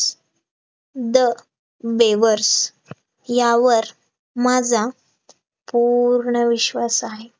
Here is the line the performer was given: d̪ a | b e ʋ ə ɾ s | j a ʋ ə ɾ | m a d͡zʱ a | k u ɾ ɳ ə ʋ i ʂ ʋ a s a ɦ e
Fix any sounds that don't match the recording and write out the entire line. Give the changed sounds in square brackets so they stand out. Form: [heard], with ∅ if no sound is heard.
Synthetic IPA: d̪ [ə] | b e ʋ ə ɾ s | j a ʋ ə ɾ | m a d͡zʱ a | [p] u ɾ ɳ ə ʋ i [ɕ] ʋ a s a ɦ e